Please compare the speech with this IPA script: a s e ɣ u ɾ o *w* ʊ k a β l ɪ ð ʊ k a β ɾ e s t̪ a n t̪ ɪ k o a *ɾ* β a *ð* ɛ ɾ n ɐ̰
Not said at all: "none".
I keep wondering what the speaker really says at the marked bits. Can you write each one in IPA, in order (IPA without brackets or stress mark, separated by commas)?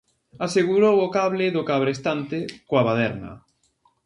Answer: w, none, ð